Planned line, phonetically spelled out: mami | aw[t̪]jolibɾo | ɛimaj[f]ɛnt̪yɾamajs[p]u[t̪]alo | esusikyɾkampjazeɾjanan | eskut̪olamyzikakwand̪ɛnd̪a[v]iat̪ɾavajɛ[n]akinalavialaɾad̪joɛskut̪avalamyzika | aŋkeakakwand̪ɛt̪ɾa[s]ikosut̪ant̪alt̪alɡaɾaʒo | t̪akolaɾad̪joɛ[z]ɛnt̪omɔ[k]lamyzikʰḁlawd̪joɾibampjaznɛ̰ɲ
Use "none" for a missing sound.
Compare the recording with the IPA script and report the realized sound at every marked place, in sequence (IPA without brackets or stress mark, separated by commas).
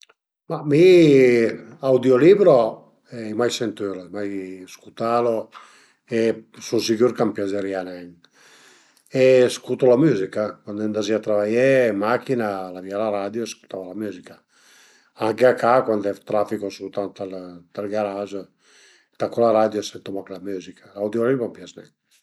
d̪, s, k, t̪, z, m, f, s, k